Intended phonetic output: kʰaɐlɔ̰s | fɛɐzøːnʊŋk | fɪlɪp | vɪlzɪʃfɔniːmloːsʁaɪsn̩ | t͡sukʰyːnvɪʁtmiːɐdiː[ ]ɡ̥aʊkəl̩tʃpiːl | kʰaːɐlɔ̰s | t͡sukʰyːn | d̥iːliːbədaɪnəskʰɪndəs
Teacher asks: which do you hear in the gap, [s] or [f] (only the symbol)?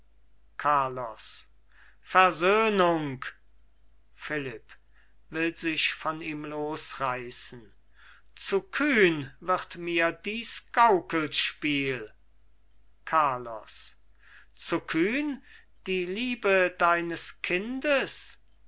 s